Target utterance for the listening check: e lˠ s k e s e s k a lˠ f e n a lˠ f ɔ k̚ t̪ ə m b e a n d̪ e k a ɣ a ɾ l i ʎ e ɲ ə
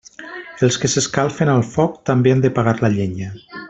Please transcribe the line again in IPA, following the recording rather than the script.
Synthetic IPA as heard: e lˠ s k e s e s k a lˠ f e n a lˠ f ɔ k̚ t̪ a m b e a n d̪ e p a ɣ a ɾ l a ʎ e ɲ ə